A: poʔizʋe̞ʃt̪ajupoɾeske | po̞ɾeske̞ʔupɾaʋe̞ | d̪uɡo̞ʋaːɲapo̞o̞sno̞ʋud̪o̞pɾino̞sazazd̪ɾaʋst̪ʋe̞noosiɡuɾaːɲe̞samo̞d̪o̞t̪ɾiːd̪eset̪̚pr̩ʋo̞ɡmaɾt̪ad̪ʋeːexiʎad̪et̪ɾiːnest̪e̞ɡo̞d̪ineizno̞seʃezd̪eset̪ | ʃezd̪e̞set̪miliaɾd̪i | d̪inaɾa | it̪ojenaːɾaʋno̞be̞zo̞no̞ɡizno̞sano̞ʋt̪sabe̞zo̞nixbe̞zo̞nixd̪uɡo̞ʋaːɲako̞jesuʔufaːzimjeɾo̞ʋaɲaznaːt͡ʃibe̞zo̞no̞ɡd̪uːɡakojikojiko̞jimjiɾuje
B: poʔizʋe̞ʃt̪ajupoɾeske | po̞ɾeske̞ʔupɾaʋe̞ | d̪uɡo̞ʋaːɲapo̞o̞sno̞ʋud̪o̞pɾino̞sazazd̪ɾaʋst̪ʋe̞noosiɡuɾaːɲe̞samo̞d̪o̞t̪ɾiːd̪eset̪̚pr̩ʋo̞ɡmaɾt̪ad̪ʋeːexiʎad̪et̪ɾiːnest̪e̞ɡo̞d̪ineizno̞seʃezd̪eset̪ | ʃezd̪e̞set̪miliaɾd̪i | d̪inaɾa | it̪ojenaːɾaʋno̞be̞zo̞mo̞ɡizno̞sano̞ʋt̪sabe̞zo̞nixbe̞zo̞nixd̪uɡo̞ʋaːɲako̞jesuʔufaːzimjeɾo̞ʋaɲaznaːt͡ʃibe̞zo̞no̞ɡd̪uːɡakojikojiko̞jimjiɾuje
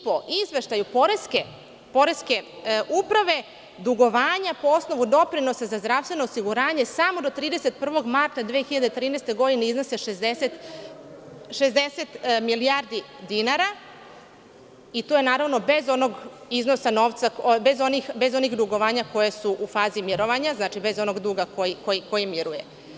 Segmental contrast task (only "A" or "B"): A